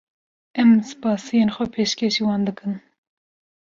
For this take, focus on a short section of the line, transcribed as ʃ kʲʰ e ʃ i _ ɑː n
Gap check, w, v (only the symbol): w